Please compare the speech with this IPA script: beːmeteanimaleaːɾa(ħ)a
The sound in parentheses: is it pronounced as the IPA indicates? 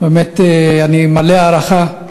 no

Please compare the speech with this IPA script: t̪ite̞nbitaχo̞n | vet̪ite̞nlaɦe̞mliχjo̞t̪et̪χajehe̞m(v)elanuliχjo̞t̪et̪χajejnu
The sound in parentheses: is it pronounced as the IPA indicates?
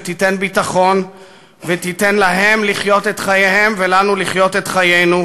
yes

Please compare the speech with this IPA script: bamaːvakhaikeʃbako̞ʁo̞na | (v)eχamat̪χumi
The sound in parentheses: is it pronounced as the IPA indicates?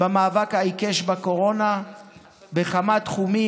no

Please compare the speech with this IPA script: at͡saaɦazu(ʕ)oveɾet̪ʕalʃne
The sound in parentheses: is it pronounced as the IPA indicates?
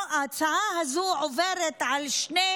yes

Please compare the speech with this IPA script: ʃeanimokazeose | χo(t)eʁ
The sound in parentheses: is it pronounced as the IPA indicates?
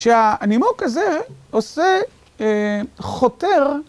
yes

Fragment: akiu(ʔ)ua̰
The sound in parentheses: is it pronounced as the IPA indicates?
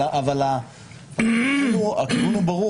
no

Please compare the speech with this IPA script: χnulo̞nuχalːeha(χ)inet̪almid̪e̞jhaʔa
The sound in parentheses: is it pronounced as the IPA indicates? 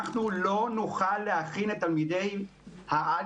yes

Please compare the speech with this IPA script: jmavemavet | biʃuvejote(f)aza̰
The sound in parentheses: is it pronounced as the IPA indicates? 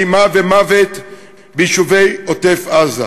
yes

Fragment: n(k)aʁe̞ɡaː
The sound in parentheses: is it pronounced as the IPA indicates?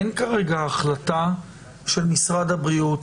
yes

